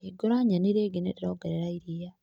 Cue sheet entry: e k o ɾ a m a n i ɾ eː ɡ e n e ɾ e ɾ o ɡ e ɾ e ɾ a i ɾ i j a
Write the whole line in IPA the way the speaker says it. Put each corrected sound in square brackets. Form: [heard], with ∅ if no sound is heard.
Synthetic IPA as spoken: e [ɡ] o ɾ a [ɲ] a n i ɾ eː ɡ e n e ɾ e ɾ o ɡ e ɾ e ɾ a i ɾ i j a